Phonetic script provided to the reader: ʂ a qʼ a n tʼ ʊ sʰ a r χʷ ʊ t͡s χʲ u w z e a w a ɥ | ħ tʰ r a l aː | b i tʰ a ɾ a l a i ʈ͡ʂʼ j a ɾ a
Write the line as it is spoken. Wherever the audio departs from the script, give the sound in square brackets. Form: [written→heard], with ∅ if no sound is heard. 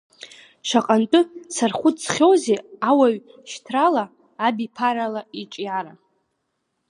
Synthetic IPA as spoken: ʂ a qʼ a n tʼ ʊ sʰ a r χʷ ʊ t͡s χʲ [u→o] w z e a w a ɥ | [ħ→ʃ] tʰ r a l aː | b i [tʰ→pʰ] a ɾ a l a i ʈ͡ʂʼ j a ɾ a